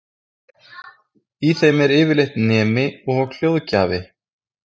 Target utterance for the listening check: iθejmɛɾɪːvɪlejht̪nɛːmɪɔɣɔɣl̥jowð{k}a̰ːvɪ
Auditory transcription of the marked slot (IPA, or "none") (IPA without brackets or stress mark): c